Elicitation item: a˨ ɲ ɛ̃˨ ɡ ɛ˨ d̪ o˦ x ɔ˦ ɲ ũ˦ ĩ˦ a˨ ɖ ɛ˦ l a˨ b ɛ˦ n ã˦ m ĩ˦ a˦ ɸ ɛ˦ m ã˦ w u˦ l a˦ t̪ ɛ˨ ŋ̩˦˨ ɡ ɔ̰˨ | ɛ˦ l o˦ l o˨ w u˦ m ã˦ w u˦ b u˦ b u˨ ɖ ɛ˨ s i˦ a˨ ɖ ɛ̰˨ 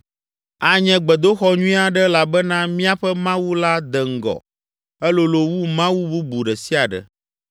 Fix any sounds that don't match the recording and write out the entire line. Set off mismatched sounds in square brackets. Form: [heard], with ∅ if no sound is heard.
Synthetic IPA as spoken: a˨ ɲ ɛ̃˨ [ɡ͡b] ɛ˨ d̪ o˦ x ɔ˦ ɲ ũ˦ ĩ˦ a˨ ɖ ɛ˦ l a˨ b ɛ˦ n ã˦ m ĩ˦ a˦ ɸ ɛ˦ m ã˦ w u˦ l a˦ [d̪] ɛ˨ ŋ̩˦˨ ɡ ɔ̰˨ | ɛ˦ l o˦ l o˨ w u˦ m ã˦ w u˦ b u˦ b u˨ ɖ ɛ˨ s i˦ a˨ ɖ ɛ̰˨